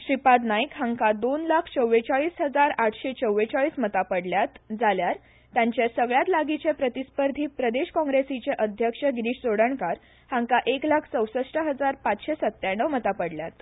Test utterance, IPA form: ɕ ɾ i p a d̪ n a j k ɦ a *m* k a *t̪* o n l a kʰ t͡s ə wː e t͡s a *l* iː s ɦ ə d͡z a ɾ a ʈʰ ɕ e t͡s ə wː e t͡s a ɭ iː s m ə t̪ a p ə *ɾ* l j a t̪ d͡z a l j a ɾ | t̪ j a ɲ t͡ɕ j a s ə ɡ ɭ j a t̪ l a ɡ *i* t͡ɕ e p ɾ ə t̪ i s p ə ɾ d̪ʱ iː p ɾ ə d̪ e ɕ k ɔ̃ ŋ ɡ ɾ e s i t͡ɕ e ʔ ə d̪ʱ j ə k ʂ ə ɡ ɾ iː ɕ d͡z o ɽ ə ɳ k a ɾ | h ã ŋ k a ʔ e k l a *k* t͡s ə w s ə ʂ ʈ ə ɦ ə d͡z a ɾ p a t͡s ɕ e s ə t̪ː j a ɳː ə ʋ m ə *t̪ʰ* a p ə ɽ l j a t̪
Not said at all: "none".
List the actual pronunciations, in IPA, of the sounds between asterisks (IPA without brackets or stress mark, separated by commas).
ŋ, d̪, ɭ, ɽ, i, kʰ, t̪